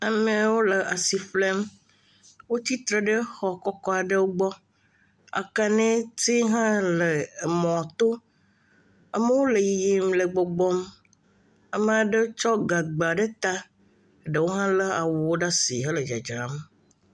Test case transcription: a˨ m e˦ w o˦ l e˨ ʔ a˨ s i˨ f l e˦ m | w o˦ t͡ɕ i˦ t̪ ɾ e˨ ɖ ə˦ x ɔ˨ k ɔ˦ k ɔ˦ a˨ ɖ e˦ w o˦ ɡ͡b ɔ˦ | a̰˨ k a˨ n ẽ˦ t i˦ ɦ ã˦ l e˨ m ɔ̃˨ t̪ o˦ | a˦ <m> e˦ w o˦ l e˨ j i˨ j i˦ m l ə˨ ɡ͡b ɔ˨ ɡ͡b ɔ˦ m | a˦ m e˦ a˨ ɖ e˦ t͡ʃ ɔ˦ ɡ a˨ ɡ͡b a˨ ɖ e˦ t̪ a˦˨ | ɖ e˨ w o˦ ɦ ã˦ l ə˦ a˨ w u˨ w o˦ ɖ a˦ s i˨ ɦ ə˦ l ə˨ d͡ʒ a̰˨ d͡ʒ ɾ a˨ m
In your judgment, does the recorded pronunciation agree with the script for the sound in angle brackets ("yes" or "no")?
yes